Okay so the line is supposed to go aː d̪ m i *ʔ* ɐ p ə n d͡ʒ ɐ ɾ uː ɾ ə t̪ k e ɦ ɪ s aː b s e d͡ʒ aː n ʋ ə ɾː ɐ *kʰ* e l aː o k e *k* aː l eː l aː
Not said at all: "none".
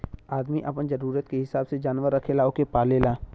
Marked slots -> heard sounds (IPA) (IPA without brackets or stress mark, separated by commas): ʔ, kʰ, p